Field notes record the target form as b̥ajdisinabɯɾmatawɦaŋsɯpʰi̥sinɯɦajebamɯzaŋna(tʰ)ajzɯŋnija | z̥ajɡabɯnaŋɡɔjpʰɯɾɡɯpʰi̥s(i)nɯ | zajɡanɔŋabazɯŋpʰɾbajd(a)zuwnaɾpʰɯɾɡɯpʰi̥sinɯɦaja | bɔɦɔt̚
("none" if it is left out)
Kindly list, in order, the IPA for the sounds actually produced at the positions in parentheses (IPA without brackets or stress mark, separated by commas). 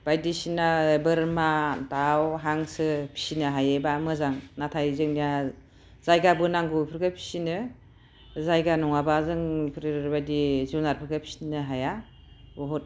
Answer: tʰ, i, i